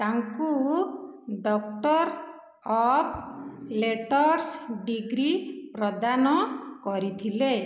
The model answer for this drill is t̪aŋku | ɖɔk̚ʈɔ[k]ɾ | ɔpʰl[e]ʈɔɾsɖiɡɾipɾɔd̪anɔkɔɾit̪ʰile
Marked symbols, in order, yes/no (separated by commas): no, yes